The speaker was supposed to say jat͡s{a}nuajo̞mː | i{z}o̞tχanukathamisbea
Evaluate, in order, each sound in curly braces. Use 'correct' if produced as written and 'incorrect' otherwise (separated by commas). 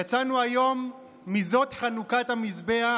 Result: correct, correct